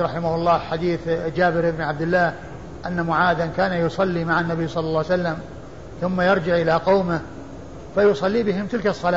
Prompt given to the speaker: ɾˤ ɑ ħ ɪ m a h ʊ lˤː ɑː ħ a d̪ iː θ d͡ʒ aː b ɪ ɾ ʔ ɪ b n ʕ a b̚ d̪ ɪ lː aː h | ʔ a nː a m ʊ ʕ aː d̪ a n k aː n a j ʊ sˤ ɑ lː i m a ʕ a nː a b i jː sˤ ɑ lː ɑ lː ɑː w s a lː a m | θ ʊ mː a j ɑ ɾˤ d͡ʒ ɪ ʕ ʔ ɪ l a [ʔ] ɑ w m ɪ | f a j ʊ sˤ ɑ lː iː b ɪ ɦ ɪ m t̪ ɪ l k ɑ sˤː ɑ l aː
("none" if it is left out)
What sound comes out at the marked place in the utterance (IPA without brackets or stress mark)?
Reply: q